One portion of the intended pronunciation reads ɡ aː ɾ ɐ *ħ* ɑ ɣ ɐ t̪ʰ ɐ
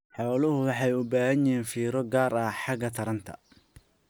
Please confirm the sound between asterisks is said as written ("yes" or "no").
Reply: yes